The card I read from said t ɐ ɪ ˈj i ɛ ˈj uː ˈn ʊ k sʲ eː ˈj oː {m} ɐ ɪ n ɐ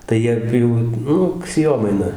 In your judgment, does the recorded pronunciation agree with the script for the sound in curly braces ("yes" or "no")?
yes